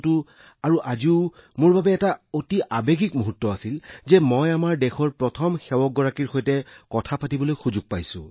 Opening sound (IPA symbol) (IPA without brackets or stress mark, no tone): t